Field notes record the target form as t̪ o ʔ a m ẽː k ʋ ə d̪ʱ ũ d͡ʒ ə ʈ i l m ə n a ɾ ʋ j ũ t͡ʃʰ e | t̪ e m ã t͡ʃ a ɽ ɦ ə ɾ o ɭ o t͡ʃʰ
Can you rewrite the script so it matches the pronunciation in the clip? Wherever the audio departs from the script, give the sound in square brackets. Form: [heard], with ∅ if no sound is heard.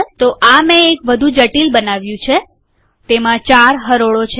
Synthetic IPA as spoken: t̪ o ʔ a m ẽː k ʋ ə d̪ʱ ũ d͡ʒ ə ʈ i l [b] ə n a [∅] ʋ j ũ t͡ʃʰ e | t̪ e m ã t͡ʃ a [ɾ] ɦ ə ɾ o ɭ o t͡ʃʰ